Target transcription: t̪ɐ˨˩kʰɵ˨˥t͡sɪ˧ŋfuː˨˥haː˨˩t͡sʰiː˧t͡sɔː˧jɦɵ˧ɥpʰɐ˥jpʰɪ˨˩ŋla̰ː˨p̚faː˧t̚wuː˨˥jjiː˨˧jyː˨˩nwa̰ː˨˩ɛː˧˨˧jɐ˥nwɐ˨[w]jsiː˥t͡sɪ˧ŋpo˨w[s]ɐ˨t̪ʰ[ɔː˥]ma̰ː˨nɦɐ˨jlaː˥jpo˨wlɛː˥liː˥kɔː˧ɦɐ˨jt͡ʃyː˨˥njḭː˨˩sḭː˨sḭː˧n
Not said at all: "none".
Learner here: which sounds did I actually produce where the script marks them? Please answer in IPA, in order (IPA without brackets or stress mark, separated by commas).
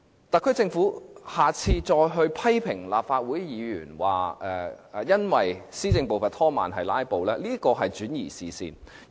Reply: none, f, ɔː˥